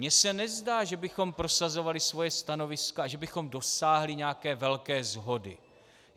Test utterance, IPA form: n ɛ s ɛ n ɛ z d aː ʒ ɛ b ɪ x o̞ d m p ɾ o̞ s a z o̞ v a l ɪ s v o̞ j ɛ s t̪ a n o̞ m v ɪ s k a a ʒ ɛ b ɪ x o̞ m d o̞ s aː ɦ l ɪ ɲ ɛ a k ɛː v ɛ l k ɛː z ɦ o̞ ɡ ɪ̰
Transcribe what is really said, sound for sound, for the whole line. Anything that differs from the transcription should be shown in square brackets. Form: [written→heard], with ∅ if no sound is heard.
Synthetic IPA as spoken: [n→ɲ] ɛ s ɛ n ɛ z d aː ʒ ɛ b ɪ x o̞ [d→∅] m p ɾ o̞ s a z o̞ v a l ɪ s v o̞ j ɛ s t̪ a n o̞ [m→∅] v ɪ s k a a ʒ ɛ b ɪ x o̞ m d o̞ s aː ɦ l ɪ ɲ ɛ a k ɛː v ɛ l k ɛː z ɦ o̞ [ɡ→d] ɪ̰